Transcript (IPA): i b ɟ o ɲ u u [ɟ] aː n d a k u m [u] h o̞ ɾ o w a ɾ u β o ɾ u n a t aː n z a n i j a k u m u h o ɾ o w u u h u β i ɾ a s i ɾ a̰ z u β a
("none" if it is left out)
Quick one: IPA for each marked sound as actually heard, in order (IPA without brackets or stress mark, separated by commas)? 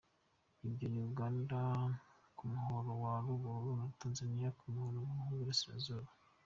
ɡ, u